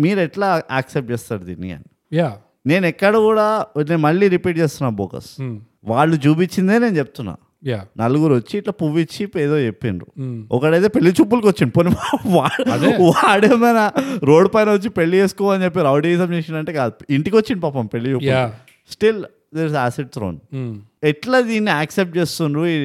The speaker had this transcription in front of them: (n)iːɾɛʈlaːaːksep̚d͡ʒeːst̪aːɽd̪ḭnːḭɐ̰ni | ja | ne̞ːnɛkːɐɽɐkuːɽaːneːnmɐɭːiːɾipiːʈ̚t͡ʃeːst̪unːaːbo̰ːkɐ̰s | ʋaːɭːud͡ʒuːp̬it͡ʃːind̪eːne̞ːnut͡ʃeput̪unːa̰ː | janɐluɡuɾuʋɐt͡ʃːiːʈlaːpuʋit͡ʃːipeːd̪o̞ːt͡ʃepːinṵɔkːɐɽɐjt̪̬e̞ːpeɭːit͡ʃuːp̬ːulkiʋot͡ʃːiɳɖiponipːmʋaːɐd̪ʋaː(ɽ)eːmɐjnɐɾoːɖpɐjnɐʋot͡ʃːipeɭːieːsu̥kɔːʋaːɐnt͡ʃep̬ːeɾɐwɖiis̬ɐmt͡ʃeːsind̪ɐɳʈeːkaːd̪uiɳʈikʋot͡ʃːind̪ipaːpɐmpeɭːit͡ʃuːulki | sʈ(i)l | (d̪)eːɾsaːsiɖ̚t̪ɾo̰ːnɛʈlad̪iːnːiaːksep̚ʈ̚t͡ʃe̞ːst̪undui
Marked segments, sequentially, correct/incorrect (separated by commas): incorrect, correct, correct, correct